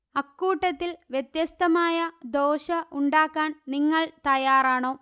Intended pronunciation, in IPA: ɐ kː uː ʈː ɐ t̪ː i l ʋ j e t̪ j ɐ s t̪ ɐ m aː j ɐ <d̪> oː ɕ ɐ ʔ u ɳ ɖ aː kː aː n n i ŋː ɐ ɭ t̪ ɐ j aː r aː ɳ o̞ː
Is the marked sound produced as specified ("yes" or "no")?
yes